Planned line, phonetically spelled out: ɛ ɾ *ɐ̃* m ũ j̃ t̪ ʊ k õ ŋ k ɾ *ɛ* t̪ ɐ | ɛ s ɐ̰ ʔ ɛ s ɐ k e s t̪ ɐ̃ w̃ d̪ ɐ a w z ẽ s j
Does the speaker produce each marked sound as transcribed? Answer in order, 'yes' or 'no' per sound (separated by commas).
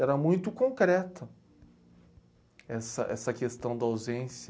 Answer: no, yes